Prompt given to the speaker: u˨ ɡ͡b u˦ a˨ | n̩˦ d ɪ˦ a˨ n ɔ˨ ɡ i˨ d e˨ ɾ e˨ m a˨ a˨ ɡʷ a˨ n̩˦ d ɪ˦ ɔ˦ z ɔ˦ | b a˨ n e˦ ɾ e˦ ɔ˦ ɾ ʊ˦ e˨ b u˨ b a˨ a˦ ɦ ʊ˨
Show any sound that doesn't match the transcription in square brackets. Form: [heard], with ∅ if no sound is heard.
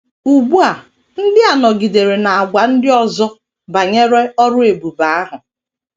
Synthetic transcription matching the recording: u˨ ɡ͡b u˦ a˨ | n̩˦ d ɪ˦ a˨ n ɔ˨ ɡ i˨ d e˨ ɾ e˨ [n] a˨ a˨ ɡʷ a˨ n̩˦ d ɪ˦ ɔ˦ z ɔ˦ | b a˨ [ɲ] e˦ ɾ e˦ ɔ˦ ɾ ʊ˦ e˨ b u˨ b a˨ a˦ ɦ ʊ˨